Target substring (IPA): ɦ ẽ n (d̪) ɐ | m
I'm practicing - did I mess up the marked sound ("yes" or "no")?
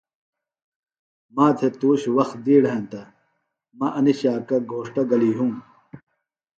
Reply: yes